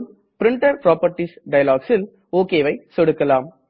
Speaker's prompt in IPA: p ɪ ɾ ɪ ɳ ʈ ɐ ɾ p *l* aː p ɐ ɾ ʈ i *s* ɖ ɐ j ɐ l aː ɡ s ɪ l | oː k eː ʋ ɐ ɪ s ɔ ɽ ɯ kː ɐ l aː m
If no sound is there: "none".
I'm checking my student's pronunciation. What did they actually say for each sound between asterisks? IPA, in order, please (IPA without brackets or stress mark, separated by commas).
ɾ, s